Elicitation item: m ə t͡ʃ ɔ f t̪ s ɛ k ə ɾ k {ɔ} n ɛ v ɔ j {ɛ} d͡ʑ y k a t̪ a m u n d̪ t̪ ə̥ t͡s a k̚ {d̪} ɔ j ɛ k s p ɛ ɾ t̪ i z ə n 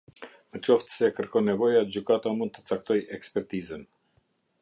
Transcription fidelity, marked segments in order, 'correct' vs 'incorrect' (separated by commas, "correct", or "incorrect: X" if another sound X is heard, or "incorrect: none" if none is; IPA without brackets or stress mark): correct, incorrect: a, incorrect: t̪